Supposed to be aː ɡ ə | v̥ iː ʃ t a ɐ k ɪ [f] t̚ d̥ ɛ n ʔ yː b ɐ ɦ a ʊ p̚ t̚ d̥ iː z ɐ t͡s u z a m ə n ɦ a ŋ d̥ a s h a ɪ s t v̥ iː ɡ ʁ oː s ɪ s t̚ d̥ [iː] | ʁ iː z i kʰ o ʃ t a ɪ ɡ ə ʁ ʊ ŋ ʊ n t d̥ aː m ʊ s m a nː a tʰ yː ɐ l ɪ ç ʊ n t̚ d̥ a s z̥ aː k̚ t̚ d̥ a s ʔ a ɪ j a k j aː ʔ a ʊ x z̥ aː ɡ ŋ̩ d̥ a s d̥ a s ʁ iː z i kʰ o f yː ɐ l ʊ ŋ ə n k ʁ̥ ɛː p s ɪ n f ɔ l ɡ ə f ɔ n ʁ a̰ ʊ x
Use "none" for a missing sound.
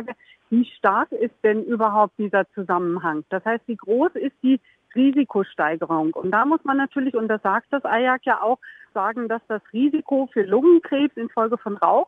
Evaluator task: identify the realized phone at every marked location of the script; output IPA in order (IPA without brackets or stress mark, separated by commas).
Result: s, iː